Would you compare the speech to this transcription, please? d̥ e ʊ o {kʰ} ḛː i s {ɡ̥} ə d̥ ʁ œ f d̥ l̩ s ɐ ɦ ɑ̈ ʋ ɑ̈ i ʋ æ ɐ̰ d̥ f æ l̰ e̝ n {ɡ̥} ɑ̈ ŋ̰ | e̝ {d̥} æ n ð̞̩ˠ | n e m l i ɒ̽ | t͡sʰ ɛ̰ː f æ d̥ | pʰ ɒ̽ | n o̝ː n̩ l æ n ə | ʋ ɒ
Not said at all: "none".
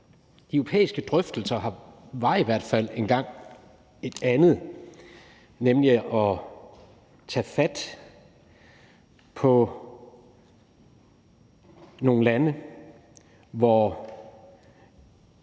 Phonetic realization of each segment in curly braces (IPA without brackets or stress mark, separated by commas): pʰ, ɡ̥, ɡ̥, d̥